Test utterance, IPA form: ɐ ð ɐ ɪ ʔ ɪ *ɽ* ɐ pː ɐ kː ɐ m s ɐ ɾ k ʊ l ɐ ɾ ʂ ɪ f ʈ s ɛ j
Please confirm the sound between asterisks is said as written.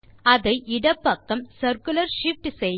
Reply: yes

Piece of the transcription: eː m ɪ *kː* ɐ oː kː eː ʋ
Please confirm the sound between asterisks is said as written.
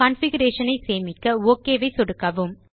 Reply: yes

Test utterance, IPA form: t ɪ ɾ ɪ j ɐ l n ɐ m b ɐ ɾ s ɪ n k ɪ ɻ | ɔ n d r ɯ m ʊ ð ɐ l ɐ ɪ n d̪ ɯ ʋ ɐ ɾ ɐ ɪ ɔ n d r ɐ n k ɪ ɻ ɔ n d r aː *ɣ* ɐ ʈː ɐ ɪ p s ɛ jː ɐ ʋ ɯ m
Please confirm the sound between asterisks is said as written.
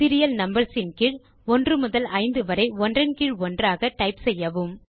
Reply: yes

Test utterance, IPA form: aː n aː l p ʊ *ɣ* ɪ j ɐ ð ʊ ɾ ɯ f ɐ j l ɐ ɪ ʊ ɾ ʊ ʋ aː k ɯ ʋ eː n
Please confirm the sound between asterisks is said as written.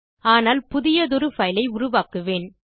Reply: no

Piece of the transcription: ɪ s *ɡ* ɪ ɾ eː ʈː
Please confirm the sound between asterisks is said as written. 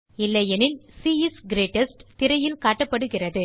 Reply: yes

